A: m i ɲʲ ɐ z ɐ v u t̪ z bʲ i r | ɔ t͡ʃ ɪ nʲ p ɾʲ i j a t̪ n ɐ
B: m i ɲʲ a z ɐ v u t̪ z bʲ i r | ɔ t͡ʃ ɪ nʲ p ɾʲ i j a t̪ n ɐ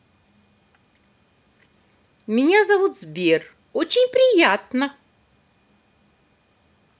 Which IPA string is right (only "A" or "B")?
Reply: B